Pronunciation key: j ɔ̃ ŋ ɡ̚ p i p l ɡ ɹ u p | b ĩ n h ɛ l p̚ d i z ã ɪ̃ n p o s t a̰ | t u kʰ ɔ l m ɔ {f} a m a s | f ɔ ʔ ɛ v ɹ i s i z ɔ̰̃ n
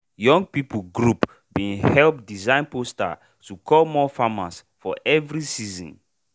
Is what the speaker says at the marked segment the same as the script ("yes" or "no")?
yes